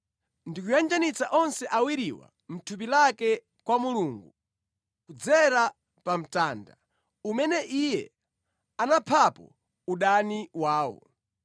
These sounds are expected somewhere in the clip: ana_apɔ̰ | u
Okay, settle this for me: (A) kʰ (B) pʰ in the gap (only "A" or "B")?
B